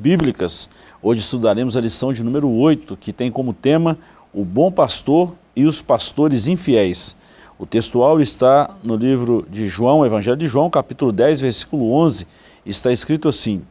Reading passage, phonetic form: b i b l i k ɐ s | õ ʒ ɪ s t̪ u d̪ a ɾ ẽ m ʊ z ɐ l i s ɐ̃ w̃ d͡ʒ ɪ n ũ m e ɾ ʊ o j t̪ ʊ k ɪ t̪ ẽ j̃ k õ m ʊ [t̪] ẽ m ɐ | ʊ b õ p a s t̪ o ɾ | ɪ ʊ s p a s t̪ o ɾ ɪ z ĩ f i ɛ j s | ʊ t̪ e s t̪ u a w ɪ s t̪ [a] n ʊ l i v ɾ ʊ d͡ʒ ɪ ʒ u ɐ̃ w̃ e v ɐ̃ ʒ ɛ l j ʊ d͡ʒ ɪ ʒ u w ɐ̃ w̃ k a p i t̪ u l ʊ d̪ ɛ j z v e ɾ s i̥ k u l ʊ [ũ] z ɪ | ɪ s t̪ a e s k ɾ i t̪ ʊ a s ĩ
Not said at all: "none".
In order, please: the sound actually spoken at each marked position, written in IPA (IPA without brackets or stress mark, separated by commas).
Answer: t̪, a, õ